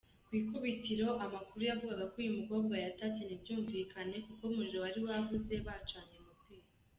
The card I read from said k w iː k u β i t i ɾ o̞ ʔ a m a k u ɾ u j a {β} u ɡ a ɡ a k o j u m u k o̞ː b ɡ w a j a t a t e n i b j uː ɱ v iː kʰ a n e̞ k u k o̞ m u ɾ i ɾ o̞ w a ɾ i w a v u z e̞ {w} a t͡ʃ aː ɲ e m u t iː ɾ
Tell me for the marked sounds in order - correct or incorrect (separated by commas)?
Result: incorrect, incorrect